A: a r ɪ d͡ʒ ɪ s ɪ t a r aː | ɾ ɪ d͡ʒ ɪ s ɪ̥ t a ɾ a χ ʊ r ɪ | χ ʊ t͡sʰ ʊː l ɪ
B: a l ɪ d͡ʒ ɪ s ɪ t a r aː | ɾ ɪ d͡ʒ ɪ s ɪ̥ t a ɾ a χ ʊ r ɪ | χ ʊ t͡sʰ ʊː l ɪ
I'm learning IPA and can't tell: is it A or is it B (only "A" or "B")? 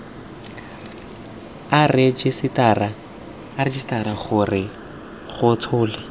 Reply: A